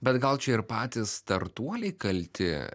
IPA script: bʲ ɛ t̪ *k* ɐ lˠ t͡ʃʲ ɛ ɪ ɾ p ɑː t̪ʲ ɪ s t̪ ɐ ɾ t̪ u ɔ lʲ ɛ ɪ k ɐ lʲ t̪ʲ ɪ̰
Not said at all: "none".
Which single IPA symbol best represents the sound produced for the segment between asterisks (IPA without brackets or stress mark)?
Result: ɡ